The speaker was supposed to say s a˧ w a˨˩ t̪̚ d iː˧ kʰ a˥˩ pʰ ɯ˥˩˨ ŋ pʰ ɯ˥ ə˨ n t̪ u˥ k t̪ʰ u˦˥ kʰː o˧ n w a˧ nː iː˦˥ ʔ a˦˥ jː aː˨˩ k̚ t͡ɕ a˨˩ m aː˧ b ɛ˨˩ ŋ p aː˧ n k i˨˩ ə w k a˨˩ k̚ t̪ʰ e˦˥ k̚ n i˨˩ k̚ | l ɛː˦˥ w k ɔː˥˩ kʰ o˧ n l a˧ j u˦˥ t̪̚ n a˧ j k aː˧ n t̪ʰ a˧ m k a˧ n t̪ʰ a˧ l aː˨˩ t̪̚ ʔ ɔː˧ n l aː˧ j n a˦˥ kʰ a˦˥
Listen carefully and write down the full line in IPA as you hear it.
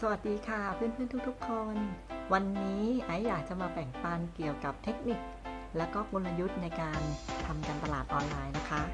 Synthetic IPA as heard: s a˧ w a˨˩ t̪̚ d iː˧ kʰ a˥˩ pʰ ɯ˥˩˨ n pʰ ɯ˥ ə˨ n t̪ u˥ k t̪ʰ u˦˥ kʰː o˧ n w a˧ nː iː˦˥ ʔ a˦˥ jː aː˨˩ k̚ t͡ɕ a˨˩ m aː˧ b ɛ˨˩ ŋ p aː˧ n k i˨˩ ə w k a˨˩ p̚ t̪ʰ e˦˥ k̚ n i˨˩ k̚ | l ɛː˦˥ w k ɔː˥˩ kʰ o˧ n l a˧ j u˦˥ t̪̚ n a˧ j k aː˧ n t̪ʰ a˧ m k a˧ n t̪ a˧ l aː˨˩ t̪̚ ʔ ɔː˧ n l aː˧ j n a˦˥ kʰ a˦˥